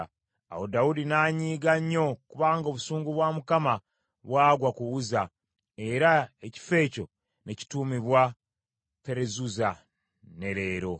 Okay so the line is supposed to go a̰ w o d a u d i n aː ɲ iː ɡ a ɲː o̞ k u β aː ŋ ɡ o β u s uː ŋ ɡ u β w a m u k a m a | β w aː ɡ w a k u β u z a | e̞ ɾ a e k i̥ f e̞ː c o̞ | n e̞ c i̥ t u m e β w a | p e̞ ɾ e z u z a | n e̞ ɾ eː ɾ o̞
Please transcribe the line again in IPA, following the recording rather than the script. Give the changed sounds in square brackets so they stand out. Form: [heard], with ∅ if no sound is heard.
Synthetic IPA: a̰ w o d a u d i n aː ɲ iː ɡ a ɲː o̞ k u β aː ŋ ɡ o β u s uː ŋ ɡ u β w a m u k a m a | β w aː ɡ w a k u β u z a | e̞ ɾ a e [c] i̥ f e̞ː c o̞ | n e̞ c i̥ t u m [i] β w a | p e̞ ɾ e z u z a | n e̞ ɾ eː ɾ o̞